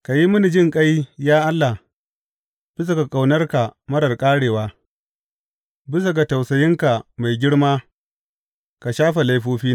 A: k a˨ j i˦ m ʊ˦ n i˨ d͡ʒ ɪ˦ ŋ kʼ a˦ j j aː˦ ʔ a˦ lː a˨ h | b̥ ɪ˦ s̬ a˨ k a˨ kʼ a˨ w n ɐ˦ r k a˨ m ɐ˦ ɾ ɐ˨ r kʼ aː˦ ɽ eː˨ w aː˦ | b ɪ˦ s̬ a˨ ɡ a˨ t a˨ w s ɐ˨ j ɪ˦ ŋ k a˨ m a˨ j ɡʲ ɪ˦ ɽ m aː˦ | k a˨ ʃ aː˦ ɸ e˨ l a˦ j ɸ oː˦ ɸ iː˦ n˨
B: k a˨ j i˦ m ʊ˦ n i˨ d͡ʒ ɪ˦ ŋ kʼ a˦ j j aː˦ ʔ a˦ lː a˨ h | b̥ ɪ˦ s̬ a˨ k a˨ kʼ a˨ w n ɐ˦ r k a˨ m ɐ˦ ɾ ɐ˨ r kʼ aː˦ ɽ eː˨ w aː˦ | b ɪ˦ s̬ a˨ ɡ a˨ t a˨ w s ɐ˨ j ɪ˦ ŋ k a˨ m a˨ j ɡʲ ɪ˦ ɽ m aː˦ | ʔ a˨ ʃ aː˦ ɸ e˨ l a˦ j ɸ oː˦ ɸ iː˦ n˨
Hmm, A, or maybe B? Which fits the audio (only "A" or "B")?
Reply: A